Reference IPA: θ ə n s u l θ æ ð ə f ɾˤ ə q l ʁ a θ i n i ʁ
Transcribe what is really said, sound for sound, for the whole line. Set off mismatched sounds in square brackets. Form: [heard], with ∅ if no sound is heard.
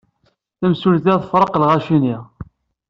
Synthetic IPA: θ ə [m] s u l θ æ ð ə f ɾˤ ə q l ʁ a [ʃ] i n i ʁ